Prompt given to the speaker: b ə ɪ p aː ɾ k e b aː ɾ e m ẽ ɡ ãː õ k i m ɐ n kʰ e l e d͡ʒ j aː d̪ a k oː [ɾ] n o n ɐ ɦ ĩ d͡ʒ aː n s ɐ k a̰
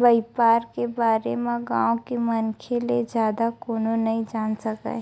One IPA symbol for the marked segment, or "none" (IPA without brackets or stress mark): none